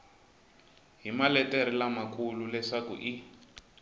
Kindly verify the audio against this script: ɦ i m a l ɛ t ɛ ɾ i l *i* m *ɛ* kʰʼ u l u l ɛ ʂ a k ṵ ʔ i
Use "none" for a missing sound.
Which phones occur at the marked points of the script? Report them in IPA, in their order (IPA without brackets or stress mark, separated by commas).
a, a